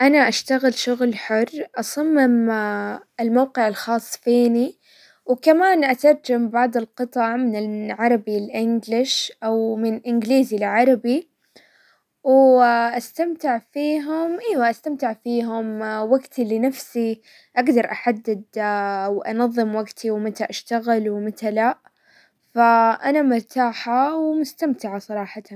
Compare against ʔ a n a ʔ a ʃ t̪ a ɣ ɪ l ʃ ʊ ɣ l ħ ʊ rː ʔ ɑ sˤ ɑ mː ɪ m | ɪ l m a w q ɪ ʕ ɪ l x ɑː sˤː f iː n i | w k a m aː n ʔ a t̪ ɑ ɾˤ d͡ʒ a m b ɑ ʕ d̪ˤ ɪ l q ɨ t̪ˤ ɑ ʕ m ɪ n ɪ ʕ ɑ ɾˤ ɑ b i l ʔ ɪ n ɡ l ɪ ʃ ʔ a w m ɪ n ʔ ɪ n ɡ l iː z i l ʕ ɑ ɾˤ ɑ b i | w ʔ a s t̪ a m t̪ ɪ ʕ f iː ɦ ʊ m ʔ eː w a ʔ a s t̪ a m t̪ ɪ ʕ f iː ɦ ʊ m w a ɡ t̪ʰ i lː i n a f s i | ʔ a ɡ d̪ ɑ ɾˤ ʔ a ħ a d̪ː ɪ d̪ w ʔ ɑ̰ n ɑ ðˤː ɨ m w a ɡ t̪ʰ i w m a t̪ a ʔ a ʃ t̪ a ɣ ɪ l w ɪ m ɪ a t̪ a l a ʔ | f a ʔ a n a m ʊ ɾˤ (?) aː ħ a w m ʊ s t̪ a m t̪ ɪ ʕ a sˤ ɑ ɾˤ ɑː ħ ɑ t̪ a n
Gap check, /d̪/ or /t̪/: t̪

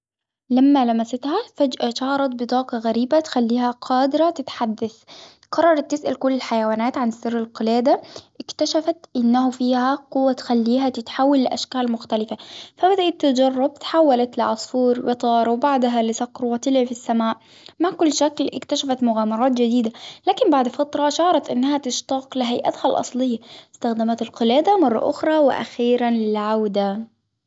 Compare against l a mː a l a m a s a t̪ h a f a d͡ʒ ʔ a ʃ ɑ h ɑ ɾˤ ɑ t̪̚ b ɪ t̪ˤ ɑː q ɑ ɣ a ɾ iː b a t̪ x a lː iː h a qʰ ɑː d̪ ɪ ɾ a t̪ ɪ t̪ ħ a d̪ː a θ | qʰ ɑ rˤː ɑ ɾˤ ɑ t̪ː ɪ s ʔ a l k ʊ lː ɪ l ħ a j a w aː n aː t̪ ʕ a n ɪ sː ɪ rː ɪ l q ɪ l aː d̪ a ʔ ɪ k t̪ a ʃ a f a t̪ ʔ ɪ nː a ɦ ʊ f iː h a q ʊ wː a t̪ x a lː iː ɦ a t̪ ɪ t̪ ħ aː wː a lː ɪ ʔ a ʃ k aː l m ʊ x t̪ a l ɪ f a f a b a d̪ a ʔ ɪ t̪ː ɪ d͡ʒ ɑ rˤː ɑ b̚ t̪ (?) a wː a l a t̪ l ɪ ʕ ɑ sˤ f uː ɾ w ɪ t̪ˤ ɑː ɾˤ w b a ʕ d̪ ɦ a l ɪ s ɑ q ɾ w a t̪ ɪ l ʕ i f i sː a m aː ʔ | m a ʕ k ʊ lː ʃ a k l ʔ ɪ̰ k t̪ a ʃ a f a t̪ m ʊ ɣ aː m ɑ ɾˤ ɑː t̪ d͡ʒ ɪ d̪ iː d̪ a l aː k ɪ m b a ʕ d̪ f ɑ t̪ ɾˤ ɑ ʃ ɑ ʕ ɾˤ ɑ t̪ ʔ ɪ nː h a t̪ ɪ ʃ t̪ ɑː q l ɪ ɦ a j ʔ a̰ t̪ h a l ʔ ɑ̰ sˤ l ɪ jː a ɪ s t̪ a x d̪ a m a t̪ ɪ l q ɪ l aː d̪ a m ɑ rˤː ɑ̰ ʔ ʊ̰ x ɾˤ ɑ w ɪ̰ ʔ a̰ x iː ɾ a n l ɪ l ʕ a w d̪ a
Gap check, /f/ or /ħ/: ħ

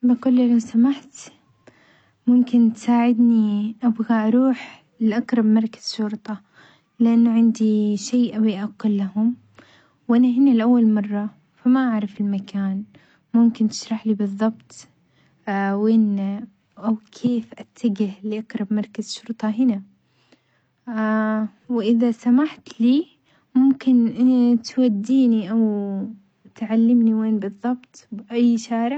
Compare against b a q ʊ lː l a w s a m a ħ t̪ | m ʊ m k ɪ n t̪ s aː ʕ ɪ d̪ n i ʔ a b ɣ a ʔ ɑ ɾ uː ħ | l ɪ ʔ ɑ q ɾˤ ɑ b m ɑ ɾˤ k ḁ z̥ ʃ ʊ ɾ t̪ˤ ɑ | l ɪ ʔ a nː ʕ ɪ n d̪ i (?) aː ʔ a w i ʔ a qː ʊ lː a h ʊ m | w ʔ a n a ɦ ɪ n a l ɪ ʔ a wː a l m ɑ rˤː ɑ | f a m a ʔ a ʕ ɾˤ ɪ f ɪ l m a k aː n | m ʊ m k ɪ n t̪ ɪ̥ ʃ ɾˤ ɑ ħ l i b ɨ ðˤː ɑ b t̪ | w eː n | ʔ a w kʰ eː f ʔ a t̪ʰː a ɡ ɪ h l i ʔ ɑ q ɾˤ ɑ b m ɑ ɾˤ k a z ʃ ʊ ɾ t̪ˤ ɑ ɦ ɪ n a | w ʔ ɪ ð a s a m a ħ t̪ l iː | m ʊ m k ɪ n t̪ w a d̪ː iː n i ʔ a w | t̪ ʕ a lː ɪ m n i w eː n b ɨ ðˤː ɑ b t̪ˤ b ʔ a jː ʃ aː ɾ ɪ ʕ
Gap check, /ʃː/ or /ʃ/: ʃ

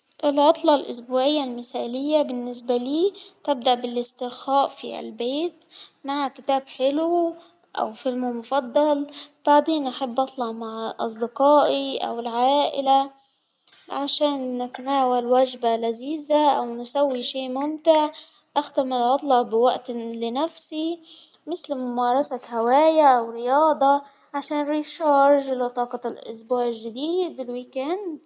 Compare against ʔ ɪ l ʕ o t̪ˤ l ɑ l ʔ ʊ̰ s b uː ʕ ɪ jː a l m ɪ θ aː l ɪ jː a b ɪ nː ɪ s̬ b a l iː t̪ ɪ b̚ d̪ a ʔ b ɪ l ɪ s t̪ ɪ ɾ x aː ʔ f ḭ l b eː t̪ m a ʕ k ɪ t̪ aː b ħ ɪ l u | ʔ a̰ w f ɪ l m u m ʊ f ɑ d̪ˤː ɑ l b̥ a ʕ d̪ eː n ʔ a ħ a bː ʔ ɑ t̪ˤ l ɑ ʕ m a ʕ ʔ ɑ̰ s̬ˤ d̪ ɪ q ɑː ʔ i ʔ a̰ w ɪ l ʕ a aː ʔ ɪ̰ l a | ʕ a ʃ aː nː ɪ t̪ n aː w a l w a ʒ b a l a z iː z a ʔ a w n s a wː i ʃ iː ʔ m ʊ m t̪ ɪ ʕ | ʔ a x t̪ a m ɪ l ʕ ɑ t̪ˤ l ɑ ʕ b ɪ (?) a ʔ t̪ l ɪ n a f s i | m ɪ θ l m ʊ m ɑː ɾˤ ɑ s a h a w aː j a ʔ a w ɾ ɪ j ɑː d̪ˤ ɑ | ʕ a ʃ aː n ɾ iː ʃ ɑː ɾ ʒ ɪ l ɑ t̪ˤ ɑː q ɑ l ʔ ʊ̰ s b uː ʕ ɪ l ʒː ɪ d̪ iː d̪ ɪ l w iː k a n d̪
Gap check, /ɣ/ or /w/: w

